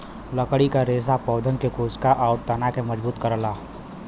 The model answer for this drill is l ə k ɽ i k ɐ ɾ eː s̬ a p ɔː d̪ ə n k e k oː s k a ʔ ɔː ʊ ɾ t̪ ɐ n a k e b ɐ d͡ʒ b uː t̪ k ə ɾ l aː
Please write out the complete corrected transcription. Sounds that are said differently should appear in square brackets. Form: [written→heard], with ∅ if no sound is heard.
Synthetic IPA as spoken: l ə k ɽ i k [ɐ→a] ɾ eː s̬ a p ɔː d̪ ə n k e k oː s k a ʔ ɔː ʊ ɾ t̪ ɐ n a k e [b→m] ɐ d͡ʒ b uː t̪ k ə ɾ l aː